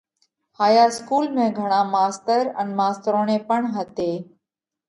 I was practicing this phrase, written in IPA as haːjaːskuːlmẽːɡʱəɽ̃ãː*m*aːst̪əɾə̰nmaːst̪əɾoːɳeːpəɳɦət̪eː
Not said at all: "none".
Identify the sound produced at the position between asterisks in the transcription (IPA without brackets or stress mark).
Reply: m